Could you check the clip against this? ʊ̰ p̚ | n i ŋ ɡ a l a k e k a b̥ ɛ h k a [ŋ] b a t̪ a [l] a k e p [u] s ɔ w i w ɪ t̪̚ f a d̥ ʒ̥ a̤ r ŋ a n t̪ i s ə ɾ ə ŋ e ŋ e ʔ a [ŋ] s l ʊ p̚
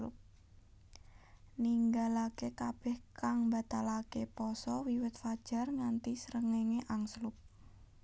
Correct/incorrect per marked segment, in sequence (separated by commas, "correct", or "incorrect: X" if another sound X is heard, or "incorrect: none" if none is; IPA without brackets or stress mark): correct, correct, incorrect: ɔ, correct